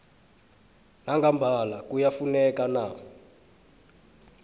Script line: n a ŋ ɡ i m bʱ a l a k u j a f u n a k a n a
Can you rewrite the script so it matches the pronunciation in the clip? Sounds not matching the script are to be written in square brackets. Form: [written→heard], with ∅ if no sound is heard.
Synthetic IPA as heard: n a ŋ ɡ [i→a] m bʱ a l a k u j a f u n [a→ɛ] k a n a